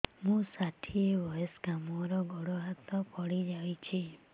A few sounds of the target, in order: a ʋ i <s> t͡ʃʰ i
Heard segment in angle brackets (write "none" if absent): none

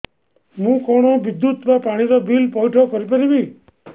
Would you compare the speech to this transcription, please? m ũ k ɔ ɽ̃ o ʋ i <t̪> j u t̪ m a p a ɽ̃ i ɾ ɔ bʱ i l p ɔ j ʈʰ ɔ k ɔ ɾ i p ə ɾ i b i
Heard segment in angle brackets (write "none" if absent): d̪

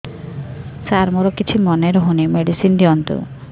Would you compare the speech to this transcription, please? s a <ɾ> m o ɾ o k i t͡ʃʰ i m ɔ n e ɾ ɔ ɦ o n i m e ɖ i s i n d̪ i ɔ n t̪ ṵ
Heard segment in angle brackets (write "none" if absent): ɾ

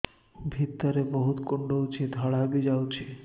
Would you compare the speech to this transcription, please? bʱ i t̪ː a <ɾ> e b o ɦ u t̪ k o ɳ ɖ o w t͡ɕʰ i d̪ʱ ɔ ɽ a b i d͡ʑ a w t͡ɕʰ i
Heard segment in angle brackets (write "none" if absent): ɾ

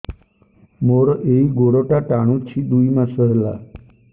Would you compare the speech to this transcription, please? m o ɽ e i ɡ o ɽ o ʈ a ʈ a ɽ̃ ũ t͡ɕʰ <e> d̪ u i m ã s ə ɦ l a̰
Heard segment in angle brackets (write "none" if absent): i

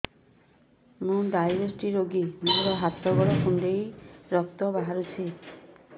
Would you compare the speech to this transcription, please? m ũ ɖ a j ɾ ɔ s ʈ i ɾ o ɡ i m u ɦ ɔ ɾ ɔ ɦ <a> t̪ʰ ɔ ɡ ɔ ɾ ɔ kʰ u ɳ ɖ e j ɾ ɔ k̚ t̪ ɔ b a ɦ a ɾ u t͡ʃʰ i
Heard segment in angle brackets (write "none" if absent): a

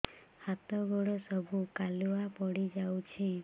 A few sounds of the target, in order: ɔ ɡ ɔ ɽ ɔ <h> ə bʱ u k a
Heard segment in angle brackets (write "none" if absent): s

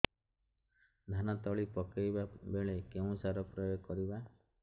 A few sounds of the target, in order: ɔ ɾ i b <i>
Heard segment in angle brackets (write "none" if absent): a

